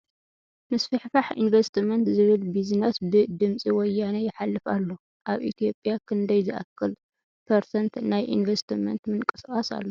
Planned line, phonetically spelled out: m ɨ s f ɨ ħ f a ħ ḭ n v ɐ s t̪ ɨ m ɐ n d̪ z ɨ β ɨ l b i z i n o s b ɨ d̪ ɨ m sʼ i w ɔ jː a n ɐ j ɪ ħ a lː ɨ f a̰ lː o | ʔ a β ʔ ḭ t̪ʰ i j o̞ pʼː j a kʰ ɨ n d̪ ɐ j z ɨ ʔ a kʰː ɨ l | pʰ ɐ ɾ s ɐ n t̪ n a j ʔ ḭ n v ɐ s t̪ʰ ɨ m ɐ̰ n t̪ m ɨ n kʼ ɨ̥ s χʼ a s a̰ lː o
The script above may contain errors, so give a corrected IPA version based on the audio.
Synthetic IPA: m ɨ s f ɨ ħ f a ħ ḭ n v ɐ s t̪ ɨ m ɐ n t̪ z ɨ β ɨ l b i z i n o s b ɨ d̪ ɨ m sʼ i w ɔ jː a n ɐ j ɪ ħ a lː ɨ f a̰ lː o | ʔ a β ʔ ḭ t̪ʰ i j o̞ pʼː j a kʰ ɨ n d̪ ɐ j z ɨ ʔ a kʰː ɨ l | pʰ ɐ ɾ s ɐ n t̪ n a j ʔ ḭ n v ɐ s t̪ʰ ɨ m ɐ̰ n t̪ m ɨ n kʼ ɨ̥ s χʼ a s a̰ lː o